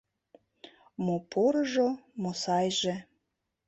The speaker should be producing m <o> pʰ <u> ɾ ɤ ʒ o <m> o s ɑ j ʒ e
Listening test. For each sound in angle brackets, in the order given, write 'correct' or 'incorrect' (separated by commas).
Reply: correct, incorrect, correct